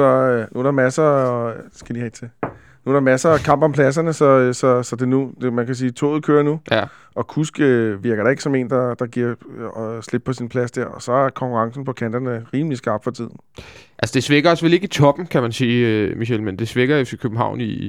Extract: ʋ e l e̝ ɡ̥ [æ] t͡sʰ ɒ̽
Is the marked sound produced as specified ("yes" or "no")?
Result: no